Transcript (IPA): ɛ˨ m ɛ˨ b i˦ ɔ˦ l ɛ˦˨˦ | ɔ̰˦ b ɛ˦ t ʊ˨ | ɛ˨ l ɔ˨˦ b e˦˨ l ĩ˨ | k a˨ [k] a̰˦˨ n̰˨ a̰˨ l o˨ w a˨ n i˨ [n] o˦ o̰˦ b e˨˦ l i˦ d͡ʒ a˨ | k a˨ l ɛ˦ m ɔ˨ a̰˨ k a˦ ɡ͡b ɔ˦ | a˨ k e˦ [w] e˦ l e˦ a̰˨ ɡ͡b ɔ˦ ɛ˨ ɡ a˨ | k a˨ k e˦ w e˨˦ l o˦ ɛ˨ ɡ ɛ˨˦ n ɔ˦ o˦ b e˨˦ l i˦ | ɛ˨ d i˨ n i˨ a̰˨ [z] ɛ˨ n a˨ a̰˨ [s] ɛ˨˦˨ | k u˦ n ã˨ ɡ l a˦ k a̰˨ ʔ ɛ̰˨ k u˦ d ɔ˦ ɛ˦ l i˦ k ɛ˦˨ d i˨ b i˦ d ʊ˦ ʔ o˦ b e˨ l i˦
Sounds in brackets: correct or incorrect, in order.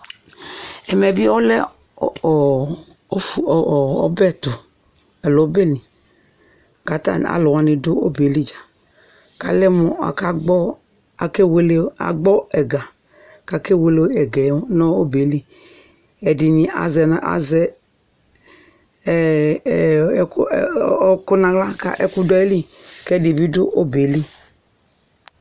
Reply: incorrect, incorrect, correct, correct, incorrect

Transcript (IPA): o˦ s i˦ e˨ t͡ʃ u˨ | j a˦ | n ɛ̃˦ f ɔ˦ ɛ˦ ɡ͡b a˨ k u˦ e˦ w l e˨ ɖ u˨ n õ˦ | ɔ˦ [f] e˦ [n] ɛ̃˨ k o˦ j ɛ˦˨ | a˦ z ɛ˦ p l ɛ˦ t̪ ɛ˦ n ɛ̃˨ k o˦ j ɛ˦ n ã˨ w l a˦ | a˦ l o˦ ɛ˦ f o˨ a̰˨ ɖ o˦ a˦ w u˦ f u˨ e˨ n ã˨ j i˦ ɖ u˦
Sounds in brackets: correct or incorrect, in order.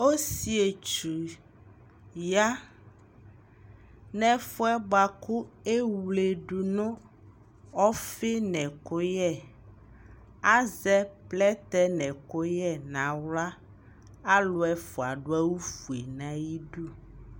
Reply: correct, correct

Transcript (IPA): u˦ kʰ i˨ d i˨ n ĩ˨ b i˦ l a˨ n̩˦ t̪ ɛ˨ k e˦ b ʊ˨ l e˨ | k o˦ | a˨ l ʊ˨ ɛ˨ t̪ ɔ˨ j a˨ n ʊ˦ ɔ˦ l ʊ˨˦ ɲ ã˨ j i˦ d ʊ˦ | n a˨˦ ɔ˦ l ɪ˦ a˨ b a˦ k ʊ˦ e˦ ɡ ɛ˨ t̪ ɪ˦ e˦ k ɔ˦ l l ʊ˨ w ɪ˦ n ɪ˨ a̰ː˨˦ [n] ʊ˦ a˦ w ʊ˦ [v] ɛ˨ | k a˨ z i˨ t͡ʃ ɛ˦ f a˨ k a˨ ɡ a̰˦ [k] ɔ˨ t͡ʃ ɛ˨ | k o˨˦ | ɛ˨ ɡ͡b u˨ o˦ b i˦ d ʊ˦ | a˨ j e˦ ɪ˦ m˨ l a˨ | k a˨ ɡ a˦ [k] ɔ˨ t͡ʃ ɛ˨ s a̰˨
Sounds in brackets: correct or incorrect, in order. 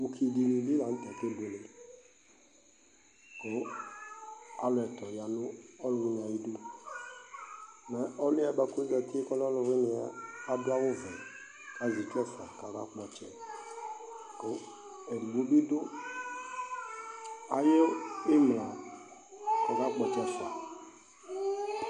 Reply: incorrect, correct, incorrect, incorrect

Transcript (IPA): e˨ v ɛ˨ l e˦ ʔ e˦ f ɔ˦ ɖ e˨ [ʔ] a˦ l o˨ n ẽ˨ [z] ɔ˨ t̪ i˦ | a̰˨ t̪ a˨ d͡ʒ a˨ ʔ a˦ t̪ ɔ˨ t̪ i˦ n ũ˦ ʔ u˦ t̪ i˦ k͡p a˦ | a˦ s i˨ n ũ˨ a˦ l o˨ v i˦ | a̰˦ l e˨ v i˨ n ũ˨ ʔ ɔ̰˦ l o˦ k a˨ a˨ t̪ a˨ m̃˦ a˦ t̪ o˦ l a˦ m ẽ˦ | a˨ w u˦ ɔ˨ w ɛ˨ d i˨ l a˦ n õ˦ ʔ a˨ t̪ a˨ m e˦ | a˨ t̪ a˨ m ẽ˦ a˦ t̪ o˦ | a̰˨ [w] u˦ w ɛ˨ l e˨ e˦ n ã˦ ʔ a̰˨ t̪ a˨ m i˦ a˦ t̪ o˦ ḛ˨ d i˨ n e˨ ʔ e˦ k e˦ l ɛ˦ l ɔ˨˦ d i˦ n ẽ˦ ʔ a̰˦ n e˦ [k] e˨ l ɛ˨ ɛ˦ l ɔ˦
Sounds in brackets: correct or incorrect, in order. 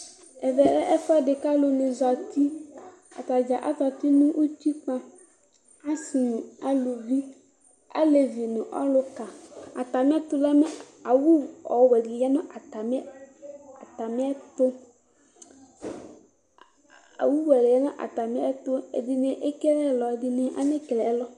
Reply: incorrect, correct, correct, correct

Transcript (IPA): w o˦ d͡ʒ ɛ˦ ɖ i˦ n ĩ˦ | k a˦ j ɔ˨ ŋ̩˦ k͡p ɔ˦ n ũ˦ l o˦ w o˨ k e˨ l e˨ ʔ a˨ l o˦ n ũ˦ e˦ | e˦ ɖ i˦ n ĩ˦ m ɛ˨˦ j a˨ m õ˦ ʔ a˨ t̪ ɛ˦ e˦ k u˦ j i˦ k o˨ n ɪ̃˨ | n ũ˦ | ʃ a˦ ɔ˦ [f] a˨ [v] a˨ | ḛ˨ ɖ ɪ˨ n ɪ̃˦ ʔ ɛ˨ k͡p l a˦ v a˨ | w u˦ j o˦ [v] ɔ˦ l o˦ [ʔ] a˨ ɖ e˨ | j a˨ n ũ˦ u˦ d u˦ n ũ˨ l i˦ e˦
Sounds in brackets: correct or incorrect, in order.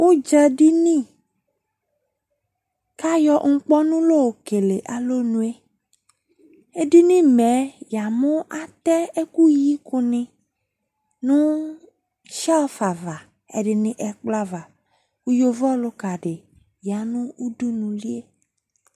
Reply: correct, correct, correct, incorrect

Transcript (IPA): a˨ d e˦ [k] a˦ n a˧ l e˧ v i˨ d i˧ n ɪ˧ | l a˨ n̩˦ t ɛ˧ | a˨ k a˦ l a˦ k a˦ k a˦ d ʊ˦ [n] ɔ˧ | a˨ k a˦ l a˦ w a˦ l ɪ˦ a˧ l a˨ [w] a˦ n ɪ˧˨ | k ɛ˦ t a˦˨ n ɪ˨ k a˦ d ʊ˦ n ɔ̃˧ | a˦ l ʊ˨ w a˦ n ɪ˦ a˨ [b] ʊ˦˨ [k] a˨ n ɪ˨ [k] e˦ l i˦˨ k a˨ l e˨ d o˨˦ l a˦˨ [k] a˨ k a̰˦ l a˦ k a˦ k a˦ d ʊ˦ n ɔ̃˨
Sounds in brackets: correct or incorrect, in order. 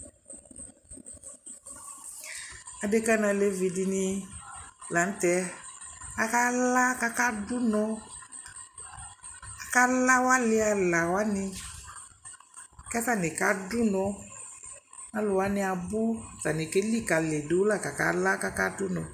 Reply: correct, correct, correct, correct, incorrect, correct, correct

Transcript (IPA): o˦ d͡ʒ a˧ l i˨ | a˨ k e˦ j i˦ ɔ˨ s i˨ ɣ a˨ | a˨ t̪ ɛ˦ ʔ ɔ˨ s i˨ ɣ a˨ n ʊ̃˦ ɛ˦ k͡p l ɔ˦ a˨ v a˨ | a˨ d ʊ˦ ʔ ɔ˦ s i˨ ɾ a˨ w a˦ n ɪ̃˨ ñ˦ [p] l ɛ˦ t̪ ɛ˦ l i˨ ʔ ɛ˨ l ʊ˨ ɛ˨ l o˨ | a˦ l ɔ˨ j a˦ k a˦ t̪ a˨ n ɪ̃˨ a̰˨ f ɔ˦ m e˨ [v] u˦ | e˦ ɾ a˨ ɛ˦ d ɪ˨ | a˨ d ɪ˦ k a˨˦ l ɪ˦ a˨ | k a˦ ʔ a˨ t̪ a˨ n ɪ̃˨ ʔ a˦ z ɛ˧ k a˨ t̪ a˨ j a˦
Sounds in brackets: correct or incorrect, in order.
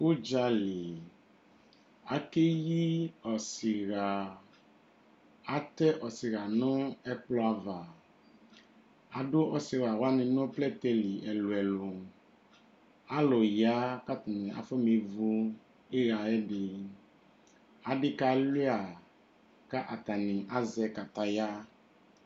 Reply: correct, correct

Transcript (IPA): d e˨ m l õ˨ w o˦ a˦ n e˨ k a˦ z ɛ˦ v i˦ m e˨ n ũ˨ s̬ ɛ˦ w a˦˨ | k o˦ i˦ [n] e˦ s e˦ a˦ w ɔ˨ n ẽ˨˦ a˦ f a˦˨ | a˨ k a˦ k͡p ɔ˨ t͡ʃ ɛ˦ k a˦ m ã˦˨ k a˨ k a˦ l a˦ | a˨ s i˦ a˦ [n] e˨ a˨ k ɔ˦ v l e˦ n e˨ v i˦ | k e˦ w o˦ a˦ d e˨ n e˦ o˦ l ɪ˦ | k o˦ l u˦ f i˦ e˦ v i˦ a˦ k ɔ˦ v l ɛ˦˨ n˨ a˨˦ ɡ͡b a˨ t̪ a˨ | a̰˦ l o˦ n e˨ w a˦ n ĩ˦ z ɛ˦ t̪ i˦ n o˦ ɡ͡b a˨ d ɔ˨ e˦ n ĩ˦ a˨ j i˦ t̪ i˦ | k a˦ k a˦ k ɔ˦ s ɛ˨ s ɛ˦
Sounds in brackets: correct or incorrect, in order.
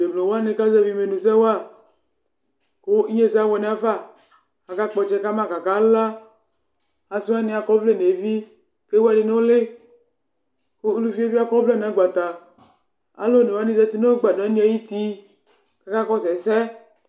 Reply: incorrect, correct

